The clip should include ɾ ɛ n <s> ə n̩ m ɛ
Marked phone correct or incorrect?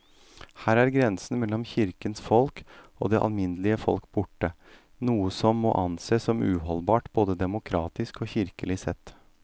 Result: correct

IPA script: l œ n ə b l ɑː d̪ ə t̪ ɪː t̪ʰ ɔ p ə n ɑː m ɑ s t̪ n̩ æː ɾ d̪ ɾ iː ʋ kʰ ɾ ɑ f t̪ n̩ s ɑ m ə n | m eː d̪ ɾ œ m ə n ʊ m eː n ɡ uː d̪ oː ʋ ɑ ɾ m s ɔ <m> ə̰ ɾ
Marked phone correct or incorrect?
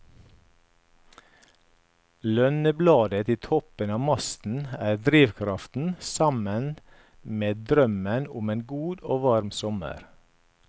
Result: correct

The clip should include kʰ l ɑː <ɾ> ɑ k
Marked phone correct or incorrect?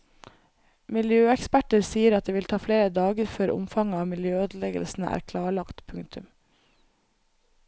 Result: incorrect: ɭ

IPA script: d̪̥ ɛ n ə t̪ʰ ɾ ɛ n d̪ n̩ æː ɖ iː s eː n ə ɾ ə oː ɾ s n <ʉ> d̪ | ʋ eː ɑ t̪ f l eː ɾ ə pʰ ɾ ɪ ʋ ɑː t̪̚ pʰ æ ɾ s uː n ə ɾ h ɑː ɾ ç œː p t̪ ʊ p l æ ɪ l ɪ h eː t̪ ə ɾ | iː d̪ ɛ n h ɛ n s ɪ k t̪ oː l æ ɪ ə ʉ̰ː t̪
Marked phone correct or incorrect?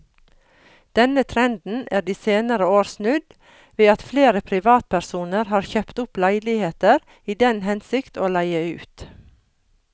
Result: correct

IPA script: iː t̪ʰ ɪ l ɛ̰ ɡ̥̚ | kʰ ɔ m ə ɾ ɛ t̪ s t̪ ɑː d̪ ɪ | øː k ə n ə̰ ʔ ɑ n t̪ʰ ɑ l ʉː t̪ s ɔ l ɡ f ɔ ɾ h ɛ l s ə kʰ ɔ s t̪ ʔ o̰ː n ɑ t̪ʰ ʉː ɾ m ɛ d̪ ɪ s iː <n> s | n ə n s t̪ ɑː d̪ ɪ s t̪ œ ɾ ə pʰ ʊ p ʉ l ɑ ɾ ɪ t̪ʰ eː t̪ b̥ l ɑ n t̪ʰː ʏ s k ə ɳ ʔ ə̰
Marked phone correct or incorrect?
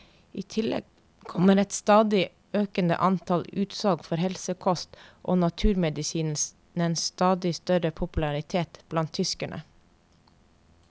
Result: correct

